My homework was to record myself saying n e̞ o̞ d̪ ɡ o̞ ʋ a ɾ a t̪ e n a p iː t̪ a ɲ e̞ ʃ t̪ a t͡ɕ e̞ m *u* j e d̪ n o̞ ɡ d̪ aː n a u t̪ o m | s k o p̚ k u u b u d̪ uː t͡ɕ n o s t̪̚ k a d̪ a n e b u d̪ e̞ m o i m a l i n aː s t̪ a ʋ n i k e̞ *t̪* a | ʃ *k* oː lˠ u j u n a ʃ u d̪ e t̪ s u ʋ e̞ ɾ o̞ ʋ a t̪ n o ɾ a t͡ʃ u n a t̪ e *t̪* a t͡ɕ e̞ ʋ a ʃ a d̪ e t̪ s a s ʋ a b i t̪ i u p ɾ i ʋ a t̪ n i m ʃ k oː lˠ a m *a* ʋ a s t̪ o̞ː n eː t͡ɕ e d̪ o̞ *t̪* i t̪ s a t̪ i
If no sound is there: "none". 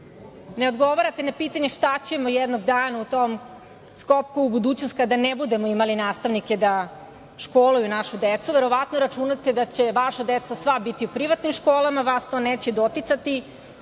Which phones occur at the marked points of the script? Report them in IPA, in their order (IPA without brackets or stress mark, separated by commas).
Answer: o, d̪, k, d̪, a, t̪